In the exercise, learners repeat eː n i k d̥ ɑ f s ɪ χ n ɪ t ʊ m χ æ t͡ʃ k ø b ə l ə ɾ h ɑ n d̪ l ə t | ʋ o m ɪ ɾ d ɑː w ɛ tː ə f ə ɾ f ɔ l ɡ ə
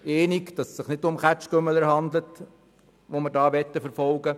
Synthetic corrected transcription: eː n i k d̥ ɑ s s ɪ χ n ɪ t ʊ m χ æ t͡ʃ k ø m ə l ə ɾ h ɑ n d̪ l ə t | ʋ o m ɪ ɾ d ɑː ʋ ɛ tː ə f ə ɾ f ɔ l ɡ ə